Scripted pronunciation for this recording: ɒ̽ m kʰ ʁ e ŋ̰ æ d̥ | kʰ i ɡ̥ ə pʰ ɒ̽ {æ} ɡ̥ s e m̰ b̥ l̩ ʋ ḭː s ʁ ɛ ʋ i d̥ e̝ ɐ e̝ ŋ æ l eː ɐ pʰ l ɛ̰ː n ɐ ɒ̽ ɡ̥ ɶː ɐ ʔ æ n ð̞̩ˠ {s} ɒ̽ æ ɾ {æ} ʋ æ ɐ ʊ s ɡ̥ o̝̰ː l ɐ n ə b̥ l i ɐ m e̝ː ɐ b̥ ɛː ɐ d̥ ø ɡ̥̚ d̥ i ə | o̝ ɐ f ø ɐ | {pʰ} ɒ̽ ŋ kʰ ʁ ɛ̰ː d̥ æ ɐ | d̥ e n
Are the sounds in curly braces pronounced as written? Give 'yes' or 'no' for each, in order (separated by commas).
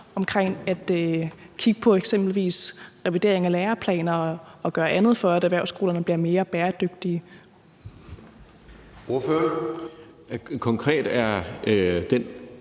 no, no, yes, no